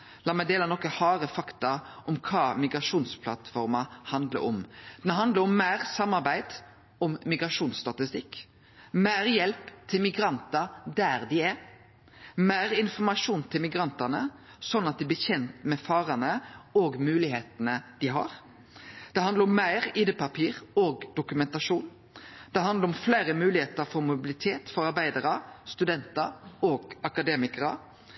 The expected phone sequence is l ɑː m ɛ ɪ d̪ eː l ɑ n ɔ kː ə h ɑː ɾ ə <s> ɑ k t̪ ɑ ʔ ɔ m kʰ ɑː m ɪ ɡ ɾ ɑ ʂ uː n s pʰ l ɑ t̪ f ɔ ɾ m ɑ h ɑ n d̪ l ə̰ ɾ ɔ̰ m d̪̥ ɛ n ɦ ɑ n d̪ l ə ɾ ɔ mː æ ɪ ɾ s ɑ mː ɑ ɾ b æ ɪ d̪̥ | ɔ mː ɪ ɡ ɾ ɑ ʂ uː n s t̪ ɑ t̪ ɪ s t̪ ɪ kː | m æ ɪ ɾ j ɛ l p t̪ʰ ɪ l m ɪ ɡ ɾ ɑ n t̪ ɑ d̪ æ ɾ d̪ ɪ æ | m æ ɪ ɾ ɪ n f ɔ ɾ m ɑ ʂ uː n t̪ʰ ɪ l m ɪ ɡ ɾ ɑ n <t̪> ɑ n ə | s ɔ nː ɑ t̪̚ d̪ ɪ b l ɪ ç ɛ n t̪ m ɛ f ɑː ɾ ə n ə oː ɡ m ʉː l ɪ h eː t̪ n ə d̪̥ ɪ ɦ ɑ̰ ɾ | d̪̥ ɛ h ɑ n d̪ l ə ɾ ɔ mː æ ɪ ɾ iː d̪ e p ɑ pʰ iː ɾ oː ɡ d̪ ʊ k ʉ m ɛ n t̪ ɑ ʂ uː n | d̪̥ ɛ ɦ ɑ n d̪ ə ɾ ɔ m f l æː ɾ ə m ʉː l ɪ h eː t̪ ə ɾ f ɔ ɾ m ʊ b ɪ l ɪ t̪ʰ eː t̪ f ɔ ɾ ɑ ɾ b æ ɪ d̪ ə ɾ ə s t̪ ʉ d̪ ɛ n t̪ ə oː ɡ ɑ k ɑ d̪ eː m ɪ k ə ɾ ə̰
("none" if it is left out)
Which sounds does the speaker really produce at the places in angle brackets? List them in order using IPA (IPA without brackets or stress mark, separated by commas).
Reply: f, t̪